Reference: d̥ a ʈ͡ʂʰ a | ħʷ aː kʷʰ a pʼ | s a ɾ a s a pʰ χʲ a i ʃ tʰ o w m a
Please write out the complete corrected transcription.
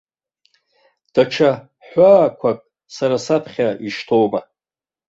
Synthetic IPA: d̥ a ʈ͡ʂʰ a | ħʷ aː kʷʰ a kʼ | s a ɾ a s a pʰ χʲ a i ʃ tʰ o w m a